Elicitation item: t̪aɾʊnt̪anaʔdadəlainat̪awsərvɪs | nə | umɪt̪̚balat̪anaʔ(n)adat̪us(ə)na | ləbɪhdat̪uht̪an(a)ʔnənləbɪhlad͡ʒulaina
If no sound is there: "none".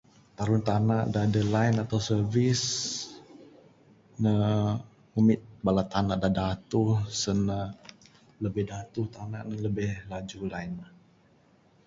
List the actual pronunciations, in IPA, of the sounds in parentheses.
d, ə, a

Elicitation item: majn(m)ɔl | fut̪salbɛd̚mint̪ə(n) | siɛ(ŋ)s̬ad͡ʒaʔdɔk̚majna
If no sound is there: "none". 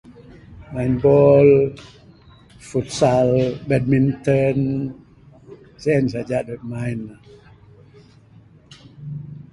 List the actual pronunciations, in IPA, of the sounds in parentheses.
b, n, n

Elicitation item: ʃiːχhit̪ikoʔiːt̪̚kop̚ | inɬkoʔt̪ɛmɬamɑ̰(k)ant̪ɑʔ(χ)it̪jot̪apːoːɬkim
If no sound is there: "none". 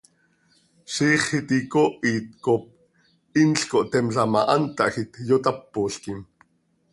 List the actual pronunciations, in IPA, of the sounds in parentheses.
ʔ, x

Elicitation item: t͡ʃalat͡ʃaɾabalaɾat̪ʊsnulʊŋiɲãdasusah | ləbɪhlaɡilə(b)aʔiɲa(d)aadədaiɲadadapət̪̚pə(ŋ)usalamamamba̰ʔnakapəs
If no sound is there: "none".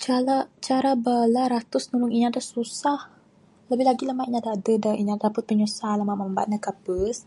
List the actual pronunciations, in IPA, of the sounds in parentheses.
m, d, ɲ

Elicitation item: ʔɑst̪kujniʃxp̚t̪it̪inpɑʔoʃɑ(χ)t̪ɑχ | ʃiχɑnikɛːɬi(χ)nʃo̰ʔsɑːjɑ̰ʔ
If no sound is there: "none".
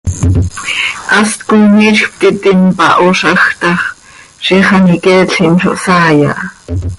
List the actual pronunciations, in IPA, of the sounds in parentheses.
x, none

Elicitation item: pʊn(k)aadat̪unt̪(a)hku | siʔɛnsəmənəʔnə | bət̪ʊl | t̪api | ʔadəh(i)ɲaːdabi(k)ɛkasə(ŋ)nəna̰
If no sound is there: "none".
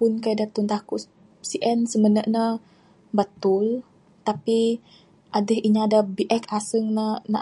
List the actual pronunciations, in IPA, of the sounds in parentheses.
k, a, i, ʔ, ŋ

